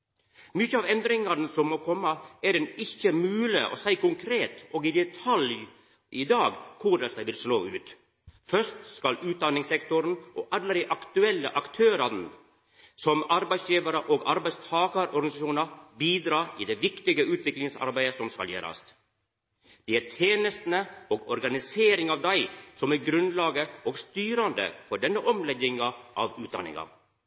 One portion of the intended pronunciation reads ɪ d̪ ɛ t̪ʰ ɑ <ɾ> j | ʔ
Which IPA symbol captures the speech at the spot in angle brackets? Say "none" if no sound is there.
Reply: l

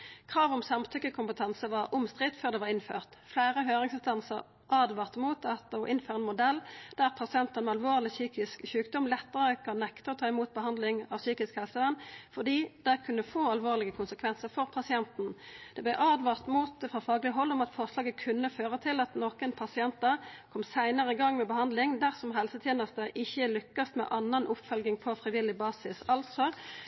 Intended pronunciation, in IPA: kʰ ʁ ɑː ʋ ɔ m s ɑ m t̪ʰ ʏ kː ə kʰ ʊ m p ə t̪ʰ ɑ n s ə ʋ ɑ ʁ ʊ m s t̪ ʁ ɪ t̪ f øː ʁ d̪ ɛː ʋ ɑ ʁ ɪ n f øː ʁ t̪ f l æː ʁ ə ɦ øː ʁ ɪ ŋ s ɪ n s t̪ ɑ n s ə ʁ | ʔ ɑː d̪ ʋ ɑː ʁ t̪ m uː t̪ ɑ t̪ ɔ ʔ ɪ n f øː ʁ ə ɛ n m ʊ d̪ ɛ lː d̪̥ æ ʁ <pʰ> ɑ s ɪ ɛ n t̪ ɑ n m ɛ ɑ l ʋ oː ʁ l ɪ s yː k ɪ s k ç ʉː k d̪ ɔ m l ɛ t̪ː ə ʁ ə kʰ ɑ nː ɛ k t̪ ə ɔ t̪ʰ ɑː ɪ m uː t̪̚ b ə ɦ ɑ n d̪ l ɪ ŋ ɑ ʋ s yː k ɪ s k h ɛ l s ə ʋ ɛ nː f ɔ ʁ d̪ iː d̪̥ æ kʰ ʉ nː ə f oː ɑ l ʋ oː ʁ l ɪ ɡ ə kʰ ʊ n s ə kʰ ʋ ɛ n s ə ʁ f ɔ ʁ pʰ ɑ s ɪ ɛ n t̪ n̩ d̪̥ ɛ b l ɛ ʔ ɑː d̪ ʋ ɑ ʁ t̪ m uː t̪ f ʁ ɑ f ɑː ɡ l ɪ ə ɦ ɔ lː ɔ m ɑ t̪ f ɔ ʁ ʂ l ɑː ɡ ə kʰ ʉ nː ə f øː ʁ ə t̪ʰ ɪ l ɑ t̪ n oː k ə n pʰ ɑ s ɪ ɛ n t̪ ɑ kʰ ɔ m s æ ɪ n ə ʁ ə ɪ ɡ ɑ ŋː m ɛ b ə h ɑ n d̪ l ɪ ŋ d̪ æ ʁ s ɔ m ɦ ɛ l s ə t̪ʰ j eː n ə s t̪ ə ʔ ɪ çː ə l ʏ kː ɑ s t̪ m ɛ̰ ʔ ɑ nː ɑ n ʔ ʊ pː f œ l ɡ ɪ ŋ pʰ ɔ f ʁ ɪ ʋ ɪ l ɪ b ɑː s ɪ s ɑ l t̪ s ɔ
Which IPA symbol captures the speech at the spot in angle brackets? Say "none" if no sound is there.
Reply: pʰ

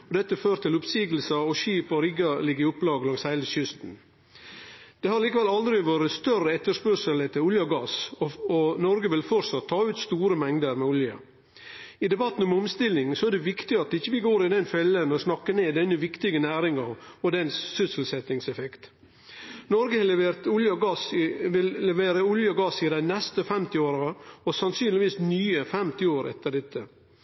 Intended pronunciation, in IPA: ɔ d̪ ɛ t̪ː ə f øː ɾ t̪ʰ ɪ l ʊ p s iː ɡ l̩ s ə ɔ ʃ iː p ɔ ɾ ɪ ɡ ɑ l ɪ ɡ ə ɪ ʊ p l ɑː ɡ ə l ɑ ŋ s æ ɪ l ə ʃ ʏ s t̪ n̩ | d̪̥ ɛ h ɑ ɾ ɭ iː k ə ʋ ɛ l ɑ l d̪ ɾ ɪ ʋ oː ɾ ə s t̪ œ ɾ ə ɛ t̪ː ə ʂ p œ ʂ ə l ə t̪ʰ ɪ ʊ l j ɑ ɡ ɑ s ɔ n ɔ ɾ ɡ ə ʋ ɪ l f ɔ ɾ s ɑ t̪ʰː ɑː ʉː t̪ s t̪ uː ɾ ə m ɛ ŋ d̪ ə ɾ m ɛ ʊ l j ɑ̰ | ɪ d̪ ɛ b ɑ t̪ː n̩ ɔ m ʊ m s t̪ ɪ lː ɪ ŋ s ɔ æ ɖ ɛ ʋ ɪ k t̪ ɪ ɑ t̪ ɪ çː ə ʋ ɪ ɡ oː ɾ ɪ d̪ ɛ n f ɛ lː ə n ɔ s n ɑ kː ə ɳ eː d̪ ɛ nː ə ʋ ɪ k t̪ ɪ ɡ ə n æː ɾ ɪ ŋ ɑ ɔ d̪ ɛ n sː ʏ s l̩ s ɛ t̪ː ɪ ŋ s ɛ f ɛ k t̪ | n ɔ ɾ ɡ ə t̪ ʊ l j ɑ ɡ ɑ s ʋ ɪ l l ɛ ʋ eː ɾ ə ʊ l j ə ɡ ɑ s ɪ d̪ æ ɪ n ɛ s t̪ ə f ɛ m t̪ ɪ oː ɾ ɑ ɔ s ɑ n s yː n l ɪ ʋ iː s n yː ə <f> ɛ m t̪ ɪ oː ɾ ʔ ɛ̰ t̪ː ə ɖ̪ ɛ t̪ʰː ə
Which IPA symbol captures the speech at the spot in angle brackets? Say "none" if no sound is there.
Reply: f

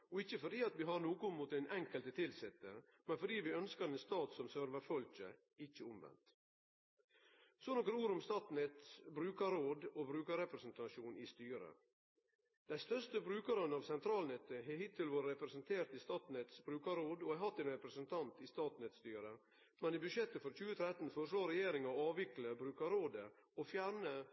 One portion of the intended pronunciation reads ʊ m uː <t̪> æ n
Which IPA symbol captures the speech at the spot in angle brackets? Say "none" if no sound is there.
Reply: t̪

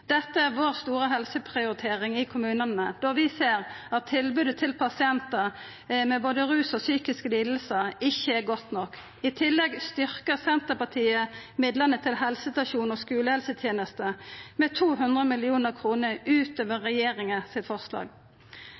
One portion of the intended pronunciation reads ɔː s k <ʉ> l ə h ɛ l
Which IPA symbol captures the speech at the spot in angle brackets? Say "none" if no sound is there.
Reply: ʉː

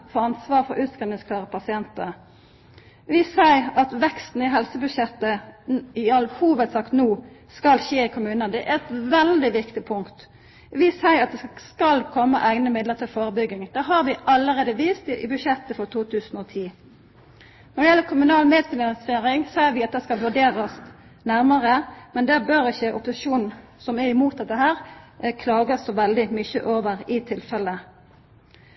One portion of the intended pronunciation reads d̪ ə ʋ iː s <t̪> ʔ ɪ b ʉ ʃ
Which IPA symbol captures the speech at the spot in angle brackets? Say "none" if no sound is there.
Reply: t̪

